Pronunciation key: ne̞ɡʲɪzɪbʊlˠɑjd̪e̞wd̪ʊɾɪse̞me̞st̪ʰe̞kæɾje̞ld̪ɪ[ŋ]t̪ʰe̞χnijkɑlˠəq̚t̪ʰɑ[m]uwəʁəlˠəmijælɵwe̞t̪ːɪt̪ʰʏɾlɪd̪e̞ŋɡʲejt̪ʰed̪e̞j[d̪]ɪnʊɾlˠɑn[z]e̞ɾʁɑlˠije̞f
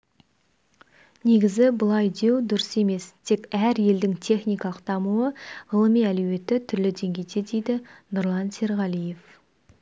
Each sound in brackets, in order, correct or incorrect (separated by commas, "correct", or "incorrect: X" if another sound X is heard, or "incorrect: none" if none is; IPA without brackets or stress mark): correct, correct, correct, incorrect: s